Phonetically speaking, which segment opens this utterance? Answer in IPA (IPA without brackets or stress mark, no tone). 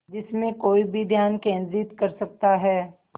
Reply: d͡ʒ